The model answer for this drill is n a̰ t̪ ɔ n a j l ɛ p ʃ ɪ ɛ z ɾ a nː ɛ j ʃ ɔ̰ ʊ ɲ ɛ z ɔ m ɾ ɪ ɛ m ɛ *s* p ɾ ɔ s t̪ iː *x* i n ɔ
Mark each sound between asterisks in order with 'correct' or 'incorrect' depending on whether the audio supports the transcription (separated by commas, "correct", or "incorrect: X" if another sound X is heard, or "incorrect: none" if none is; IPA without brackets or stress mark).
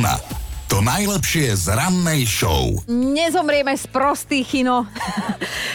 correct, correct